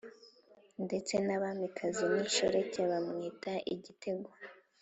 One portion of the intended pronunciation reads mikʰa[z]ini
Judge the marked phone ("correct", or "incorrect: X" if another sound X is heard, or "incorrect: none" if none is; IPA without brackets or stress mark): correct